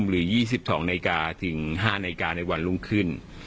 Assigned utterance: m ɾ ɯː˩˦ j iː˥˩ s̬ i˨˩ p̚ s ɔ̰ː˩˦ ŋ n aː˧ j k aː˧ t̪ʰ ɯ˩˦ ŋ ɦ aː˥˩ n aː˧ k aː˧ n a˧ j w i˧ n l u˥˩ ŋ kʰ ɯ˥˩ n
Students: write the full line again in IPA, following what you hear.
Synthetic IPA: m ɾ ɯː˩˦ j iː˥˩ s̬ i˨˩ p̚ s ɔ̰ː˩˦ ŋ n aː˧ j k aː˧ t̪ʰ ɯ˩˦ ŋ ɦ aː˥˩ n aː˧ k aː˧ n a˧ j w a˧ n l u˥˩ ŋ kʰ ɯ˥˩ n